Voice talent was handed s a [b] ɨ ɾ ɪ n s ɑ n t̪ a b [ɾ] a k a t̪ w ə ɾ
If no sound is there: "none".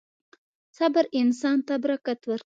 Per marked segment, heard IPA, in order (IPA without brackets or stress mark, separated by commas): b, ɾ